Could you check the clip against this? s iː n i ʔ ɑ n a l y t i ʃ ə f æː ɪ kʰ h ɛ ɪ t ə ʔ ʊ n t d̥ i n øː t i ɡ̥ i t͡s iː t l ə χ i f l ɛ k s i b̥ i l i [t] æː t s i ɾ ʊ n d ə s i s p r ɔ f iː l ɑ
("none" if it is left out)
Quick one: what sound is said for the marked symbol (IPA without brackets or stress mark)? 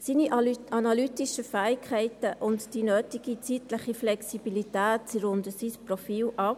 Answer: t